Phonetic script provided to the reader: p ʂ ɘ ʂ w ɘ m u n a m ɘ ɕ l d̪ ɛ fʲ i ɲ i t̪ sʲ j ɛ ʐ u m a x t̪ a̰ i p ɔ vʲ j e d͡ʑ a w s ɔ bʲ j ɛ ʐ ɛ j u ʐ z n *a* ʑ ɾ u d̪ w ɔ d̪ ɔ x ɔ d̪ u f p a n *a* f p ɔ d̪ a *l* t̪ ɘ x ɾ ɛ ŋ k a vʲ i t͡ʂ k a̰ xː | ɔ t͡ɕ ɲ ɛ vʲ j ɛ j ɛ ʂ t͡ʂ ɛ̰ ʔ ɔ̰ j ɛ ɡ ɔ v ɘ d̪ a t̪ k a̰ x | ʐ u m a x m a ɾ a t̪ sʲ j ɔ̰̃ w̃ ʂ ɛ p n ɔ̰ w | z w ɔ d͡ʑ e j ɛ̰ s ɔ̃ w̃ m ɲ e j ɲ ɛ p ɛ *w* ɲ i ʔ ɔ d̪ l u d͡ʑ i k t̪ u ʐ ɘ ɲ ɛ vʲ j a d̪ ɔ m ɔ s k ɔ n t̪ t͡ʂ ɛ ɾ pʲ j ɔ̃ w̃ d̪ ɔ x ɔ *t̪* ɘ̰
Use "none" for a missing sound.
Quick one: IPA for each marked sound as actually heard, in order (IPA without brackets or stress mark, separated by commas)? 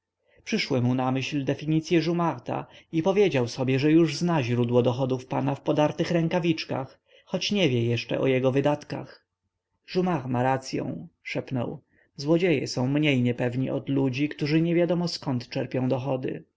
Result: a, a, ɾ, v, d̪